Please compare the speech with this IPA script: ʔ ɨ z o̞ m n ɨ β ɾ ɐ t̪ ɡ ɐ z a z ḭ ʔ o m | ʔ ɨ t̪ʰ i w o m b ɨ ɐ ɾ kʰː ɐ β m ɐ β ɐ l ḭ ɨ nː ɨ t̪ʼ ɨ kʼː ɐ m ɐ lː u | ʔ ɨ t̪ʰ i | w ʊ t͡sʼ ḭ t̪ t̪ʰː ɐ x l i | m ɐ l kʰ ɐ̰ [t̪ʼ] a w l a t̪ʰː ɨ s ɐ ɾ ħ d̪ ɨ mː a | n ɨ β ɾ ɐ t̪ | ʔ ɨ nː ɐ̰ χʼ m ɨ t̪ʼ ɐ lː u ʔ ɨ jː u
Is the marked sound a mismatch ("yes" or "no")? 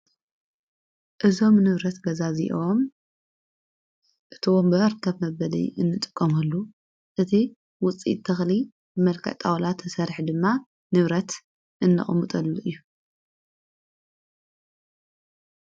no